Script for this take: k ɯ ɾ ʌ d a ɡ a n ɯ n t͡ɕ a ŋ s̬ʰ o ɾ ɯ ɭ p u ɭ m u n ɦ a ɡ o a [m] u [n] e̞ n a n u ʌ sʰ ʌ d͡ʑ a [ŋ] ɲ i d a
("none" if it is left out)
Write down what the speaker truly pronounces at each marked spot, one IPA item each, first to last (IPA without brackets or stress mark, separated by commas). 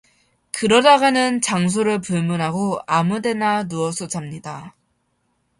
m, d, m